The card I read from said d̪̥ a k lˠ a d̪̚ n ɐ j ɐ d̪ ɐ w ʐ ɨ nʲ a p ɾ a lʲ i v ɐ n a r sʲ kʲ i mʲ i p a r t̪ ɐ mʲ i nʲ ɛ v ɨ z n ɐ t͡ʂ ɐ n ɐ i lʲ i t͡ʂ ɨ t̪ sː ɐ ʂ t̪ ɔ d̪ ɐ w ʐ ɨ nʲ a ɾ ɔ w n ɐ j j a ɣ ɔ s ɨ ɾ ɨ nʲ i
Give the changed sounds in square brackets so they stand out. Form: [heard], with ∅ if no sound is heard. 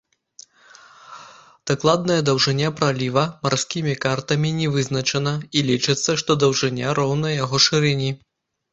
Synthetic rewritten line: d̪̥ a k lˠ a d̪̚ n ɐ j ɐ d̪ ɐ w ʐ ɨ nʲ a p ɾ a lʲ i v ɐ [m] a r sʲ kʲ i mʲ i [k] a r t̪ ɐ mʲ i nʲ ɛ v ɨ z n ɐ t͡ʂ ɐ n ɐ i lʲ i t͡ʂ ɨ t̪ sː ɐ ʂ t̪ ɔ d̪ ɐ w ʐ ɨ nʲ a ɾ ɔ w n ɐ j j a ɣ ɔ [ʂ] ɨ ɾ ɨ nʲ i